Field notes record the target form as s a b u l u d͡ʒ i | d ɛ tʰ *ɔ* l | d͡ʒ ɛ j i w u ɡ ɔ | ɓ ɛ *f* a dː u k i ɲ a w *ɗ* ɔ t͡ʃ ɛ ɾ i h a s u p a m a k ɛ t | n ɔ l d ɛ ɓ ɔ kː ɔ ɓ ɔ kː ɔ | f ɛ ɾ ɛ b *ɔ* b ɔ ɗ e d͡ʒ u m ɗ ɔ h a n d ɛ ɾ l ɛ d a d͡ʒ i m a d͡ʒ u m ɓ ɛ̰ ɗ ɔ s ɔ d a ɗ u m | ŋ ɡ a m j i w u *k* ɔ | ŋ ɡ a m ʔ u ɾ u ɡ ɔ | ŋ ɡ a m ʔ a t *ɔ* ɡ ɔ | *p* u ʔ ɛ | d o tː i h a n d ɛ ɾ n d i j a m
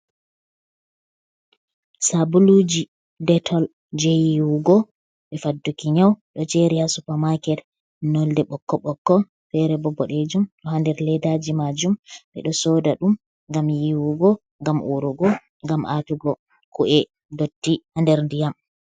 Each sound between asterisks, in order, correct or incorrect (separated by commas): correct, correct, correct, correct, incorrect, incorrect, incorrect